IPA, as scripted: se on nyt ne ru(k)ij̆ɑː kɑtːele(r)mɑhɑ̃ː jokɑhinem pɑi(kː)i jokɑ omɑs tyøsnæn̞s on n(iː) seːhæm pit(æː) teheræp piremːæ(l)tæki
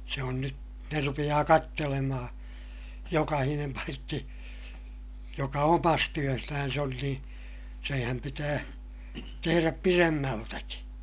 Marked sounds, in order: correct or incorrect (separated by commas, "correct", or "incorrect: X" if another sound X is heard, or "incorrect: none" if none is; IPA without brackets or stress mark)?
incorrect: p, incorrect: none, incorrect: tː, correct, correct, correct